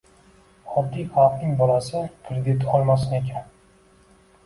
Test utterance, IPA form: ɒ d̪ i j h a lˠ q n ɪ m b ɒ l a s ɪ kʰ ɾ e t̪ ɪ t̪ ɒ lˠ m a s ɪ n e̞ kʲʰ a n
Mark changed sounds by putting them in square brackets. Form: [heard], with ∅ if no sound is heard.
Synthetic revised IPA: ɒ [d̪ː] i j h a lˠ q n ɪ [ŋ] b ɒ l a s ɪ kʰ ɾ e [d̪] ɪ t̪ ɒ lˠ m a s ɪ n e̞ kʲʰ a n

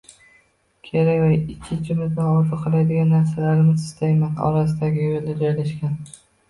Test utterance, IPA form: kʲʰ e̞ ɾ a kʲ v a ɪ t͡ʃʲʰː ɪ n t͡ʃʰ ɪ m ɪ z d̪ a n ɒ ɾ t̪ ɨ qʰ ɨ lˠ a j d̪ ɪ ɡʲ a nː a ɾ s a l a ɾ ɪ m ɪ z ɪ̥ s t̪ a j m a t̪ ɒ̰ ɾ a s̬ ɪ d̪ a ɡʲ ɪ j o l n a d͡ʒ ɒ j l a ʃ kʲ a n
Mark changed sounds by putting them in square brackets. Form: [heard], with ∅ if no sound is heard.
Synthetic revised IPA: kʲʰ e̞ ɾ a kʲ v a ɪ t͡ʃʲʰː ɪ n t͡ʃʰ ɪ m ɪ z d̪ a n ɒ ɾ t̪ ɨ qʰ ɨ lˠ a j d̪ ɪ ɡʲ a nː a ɾ s a l a ɾ ɪ m ɪ z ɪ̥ s t̪ a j m a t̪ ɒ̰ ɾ a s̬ ɪ d̪ a ɡʲ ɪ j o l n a d͡ʒ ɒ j l a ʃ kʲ a n

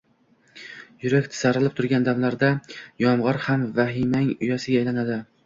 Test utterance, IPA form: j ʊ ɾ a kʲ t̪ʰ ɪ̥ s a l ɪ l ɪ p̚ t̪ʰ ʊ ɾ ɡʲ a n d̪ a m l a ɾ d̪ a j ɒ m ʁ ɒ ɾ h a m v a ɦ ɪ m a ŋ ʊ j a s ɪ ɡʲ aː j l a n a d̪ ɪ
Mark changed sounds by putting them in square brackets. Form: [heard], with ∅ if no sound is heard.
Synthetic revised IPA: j ʊ ɾ a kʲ t̪ʰ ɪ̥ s a [ɾ] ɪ l ɪ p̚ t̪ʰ ʊ ɾ ɡʲ a n d̪ a m l a ɾ d̪ a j ɒ m ʁ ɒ ɾ h a m v a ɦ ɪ m a ŋ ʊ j a s ɪ ɡʲ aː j l a n a d̪ ɪ

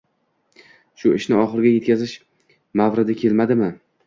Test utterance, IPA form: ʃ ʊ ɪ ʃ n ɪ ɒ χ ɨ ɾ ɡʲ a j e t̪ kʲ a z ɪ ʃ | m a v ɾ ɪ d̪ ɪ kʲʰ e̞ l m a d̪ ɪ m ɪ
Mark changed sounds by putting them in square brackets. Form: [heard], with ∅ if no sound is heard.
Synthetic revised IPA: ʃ ʊ ɪ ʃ n ɪ ɒ χ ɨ ɾ ɡʲ a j e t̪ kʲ a z ɪ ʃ | m a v ɾ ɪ d̪ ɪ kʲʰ e̞ l m a d̪ ɪ m ɪ

